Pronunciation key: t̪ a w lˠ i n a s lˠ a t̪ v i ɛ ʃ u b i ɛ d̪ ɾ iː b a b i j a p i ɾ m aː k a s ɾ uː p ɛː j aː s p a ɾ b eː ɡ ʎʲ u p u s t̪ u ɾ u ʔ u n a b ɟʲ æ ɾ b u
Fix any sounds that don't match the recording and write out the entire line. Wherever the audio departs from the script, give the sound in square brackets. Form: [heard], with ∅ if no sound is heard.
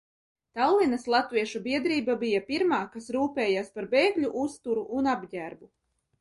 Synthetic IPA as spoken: t̪ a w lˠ i n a s lˠ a t̪ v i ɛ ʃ u b i ɛ d̪ ɾ iː b a b i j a p i ɾ m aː k a s ɾ uː p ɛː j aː s p a ɾ b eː ɡ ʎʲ u [ʔ] u s t̪ u ɾ u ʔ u n a b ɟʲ æ ɾ b u